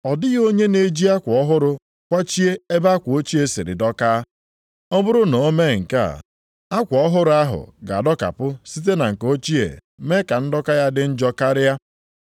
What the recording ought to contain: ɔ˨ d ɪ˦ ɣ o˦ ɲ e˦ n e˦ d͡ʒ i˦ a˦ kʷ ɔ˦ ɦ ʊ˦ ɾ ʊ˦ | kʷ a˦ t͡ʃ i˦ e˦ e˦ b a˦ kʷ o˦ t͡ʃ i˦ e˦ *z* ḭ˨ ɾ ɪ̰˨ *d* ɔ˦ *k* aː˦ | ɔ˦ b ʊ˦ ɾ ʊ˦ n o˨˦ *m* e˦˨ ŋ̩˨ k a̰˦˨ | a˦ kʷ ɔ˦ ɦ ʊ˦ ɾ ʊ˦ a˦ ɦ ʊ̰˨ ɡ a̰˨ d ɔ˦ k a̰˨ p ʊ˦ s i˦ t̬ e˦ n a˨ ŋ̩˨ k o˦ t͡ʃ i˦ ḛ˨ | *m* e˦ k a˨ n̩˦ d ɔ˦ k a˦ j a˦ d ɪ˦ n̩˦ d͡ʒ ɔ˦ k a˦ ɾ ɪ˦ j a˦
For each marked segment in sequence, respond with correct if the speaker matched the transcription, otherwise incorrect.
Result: incorrect, correct, correct, correct, correct

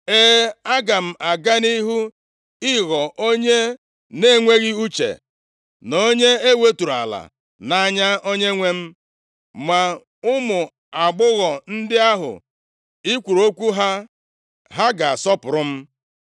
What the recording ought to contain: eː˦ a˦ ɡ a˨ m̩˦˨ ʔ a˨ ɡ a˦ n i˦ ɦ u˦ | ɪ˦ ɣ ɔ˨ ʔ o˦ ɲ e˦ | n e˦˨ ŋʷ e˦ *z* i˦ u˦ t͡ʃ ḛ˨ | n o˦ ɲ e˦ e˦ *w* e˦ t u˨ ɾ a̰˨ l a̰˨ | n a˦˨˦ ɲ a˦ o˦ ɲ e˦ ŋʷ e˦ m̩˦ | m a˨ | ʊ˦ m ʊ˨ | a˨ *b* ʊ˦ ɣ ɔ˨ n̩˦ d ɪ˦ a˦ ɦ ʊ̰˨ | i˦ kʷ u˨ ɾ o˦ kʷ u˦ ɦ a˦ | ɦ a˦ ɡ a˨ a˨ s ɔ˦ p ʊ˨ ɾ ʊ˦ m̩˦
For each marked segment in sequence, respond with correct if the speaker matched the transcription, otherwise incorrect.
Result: incorrect, correct, incorrect

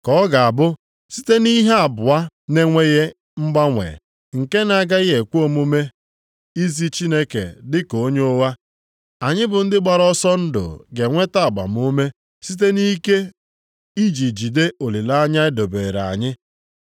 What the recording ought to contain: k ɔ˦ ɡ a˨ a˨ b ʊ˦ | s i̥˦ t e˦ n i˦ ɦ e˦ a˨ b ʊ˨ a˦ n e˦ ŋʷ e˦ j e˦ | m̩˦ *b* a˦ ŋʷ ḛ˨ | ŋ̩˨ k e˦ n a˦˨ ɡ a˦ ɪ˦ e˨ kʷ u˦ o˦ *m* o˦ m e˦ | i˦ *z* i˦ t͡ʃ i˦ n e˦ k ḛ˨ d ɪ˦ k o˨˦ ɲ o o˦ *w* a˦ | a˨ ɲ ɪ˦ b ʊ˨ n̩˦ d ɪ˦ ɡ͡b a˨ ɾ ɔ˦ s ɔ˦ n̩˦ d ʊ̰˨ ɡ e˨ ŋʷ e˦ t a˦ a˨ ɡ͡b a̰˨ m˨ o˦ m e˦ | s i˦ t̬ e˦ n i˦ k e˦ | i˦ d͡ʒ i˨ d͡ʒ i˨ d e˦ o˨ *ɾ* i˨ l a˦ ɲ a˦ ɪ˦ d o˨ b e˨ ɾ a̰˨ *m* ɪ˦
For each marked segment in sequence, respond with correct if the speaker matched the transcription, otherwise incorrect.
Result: incorrect, correct, correct, correct, incorrect, incorrect

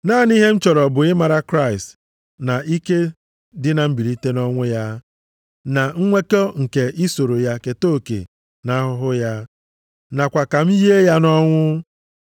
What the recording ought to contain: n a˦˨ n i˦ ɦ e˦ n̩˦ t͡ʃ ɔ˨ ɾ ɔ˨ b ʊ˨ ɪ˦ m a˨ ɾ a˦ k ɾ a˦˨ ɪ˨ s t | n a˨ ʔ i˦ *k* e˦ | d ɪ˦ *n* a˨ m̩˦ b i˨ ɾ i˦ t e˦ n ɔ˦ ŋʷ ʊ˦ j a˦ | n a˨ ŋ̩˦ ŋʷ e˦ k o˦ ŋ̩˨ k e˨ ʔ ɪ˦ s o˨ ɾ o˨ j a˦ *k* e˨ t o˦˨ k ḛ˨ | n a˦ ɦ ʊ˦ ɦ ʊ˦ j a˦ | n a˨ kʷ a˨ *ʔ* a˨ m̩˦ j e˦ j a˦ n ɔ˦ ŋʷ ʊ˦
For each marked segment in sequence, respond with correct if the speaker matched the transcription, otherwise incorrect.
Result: correct, correct, correct, incorrect

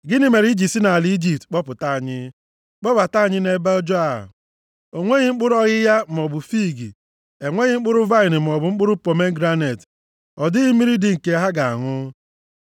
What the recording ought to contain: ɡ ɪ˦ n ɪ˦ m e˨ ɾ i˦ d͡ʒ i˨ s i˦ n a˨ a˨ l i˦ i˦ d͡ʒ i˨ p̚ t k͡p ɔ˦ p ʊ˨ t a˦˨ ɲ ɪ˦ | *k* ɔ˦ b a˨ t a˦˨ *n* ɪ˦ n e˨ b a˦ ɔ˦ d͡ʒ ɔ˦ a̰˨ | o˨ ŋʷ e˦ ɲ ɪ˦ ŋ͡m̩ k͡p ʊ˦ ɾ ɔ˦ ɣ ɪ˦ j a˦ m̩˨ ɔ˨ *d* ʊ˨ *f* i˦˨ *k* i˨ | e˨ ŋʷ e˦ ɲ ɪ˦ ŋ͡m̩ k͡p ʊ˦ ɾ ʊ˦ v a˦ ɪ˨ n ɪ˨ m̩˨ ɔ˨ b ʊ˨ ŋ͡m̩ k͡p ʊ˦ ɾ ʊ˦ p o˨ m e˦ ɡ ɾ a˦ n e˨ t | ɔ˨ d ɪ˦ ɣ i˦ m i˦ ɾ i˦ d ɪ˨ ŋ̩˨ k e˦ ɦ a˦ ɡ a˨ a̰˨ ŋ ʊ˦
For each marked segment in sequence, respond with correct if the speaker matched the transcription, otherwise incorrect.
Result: incorrect, incorrect, incorrect, correct, incorrect

